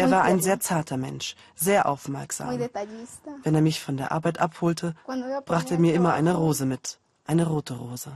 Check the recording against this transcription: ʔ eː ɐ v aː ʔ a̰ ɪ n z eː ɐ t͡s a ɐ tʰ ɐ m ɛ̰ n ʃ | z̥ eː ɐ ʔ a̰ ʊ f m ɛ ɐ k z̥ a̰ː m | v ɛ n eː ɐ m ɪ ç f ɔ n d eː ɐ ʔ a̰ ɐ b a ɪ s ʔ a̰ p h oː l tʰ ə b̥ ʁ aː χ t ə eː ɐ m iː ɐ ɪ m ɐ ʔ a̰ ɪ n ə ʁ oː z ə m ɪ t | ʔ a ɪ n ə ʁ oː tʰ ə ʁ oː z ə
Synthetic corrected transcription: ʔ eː ɐ v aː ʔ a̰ ɪ n z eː ɐ t͡s a ɐ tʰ ɐ m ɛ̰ n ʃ | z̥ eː ɐ ʔ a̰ ʊ f m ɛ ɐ k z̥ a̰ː m | v ɛ n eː ɐ m ɪ ç f ɔ n d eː ɐ ʔ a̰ ɐ b a ɪ t ʔ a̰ p h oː l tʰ ə b̥ ʁ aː χ t ə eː ɐ m iː ɐ ɪ m ɐ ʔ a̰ ɪ n ə ʁ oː z ə m ɪ t | ʔ a ɪ n ə ʁ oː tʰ ə ʁ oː z ə